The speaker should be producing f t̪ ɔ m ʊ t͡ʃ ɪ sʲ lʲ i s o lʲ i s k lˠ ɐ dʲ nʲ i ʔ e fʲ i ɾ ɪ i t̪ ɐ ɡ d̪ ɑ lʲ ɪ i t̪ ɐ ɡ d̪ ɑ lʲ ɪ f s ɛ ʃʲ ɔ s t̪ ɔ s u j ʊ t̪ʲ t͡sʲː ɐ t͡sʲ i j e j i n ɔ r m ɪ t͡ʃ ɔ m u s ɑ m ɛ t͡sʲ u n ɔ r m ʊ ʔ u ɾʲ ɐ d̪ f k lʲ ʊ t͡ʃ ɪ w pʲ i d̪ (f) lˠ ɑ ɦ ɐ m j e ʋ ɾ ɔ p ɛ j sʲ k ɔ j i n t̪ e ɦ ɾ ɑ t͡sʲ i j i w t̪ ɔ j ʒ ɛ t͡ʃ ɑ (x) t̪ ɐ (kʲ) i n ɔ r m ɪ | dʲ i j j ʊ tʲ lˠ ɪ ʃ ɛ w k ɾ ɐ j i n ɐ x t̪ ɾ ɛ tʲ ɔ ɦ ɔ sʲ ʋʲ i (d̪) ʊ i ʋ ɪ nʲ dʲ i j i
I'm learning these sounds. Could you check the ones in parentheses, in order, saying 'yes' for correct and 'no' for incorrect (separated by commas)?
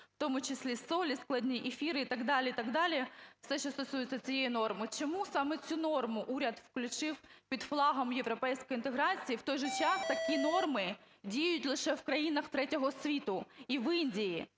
yes, no, yes, no